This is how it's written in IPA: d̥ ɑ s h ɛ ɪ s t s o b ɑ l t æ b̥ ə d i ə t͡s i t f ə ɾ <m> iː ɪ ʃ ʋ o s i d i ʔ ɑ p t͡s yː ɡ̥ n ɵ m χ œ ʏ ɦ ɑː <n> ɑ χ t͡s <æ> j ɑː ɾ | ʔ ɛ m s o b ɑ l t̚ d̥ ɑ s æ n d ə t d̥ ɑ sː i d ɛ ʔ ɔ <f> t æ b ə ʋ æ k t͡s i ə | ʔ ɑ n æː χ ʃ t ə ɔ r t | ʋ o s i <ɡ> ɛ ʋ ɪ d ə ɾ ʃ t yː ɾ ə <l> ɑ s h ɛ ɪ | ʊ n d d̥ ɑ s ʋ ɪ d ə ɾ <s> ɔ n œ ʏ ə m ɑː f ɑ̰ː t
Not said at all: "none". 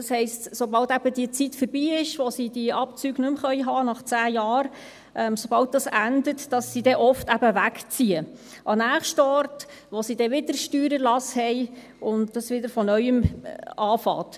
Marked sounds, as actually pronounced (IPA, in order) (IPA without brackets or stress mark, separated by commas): b, n, æː, f, d, l, f